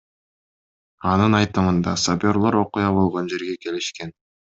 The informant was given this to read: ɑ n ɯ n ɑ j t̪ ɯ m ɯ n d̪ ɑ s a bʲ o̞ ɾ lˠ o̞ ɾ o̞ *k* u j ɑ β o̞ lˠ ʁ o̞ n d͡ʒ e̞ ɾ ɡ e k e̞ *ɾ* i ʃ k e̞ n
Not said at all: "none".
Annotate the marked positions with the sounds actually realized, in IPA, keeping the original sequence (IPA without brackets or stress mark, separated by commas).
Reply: q, l